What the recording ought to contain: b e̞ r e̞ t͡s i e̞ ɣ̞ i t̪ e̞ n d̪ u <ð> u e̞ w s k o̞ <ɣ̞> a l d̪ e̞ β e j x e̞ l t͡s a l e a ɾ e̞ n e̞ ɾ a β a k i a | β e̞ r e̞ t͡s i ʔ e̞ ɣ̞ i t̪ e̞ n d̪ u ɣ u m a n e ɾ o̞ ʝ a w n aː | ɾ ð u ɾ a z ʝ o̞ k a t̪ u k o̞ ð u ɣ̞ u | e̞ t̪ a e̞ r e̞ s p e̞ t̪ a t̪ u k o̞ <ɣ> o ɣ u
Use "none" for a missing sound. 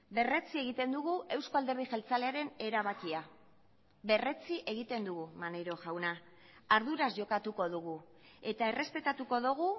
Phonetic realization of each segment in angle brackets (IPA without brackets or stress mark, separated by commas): ɣ, none, ð